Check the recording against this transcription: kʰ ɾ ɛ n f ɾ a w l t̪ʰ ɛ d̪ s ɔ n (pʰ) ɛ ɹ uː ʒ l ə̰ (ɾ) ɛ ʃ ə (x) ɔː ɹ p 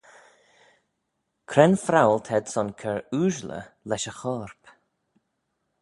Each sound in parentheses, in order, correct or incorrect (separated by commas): incorrect, incorrect, correct